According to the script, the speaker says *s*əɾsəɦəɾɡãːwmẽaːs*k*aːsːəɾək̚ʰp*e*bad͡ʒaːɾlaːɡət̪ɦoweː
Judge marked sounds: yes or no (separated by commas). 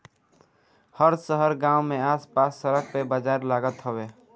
no, no, yes